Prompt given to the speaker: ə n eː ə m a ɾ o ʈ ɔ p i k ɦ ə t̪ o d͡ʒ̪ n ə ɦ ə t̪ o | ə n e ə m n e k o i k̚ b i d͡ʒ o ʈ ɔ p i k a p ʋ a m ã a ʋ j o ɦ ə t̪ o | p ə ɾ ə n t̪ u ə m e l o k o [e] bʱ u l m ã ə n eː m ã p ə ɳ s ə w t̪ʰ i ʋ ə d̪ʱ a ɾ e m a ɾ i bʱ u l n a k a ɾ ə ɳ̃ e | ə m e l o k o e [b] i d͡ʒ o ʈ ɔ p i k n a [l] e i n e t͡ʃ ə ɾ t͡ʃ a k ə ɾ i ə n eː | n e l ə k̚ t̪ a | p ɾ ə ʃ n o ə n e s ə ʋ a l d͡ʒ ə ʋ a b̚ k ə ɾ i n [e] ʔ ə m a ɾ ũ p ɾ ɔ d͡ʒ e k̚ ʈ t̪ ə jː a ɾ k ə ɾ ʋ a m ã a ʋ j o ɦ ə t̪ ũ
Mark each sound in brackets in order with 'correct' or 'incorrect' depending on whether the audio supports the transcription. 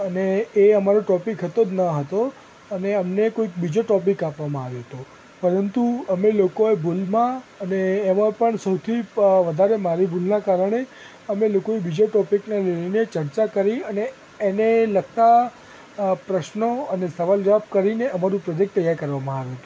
correct, correct, correct, correct

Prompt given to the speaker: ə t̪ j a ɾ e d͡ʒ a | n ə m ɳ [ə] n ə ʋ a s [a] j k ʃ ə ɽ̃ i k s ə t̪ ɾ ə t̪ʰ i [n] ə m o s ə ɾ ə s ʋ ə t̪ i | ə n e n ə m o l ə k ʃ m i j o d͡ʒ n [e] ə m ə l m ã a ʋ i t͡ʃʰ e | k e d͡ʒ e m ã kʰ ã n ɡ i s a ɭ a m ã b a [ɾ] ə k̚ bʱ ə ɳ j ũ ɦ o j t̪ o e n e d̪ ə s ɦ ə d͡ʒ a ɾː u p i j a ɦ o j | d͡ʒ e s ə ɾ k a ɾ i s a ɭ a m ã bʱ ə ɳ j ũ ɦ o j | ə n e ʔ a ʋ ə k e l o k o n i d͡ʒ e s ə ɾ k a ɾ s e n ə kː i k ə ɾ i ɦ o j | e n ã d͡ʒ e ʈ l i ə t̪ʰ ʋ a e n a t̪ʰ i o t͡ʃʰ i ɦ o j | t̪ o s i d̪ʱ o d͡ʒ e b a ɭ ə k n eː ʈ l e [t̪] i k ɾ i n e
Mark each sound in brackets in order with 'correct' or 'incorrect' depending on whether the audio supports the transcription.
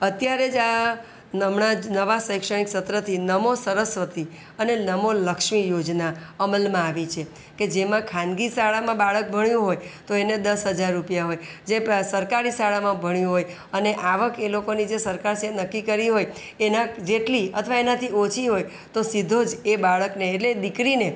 incorrect, incorrect, correct, incorrect, incorrect, incorrect

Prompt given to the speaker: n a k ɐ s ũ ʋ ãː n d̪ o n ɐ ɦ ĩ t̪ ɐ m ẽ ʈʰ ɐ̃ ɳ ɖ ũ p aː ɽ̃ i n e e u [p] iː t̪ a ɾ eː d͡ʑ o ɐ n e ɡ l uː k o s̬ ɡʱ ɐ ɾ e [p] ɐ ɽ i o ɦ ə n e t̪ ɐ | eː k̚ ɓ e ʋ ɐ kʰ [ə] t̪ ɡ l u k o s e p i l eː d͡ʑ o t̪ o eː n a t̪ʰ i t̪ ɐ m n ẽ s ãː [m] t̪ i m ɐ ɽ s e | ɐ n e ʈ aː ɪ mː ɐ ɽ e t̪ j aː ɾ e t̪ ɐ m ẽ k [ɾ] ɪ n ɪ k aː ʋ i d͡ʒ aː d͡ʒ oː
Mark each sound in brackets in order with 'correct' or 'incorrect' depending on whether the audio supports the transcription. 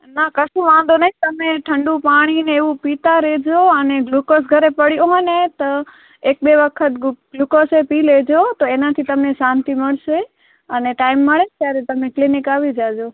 correct, correct, correct, incorrect, incorrect

